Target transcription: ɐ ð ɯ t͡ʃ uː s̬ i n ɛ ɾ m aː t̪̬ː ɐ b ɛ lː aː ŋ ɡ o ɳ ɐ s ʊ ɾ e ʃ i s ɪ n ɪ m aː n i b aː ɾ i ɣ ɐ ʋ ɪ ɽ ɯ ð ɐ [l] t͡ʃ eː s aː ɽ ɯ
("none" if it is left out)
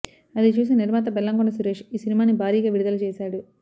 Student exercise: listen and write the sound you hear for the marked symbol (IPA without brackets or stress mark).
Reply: l